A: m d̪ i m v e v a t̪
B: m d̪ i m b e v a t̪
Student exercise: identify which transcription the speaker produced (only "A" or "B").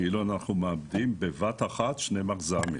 B